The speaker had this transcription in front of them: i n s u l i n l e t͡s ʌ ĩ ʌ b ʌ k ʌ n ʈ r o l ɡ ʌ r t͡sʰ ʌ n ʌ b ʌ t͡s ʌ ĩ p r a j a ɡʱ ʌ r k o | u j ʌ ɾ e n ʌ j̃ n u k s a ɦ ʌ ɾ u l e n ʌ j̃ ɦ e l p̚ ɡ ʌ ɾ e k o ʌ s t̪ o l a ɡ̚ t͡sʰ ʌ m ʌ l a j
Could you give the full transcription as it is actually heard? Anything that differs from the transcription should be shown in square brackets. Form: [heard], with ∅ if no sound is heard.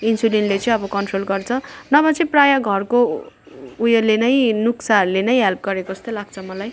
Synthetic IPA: i n s u l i n l e t͡s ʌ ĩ ʌ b ʌ k ʌ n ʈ r o l ɡ ʌ r t͡sʰ ʌ n ʌ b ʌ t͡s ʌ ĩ p r a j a ɡʱ ʌ r k o | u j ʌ [l] e n ʌ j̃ n u k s a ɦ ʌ ɾ u l e n ʌ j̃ ɦ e l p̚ ɡ ʌ ɾ e k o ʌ s t̪ o l a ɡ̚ t͡sʰ ʌ m ʌ l a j